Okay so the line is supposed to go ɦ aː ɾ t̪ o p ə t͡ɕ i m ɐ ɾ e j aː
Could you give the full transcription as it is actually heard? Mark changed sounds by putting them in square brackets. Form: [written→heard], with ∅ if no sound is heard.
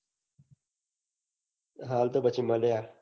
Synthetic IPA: ɦ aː [ɾ→l] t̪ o [p→b] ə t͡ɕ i m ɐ [ɾ→l] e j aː